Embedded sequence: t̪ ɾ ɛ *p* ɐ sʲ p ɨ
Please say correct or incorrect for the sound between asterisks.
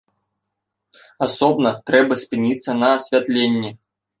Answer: incorrect